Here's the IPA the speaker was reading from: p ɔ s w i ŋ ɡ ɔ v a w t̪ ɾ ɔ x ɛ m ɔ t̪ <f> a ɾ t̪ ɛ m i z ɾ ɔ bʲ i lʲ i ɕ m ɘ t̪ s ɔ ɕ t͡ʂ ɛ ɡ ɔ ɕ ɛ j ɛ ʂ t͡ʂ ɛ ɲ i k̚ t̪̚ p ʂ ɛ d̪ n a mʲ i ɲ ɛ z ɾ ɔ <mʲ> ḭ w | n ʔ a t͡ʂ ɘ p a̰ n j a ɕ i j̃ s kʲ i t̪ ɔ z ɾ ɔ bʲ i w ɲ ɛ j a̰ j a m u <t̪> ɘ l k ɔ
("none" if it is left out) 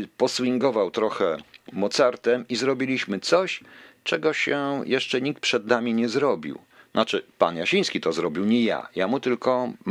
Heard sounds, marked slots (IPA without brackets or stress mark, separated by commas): s, bʲ, t̪